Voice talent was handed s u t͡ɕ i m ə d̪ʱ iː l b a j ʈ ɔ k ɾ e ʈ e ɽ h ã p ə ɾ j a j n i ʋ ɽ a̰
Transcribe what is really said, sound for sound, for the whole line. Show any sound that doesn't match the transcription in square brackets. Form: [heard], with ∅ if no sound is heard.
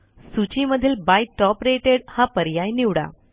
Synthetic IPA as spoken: s u t͡ɕ i m ə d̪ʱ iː l b a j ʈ ɔ [p] ɾ e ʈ e ɽ h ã p ə ɾ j a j n i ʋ ɽ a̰